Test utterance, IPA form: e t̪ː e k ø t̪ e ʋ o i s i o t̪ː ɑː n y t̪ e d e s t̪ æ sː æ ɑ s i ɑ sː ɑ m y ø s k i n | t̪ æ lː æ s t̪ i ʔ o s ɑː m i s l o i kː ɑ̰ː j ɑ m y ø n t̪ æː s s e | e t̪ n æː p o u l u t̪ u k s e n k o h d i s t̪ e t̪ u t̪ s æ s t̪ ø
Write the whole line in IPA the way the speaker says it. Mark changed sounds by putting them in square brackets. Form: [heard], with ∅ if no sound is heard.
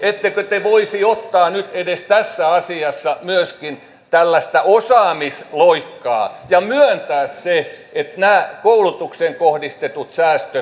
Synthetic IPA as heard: e t̪ː e k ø t̪ e ʋ o i s i o t̪ː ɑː n y t̪ e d e s t̪ æ sː æ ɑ s i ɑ sː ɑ m y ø s k i n | t̪ æ lː æ s t̪ [æ] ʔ o s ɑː m i s l o i kː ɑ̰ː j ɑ m y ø n t̪ æː s s e | e t̪ n æː [k] o u l u t̪ u k s e [ŋ] k o h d i s t̪ e t̪ u t̪ s [æː] s t̪ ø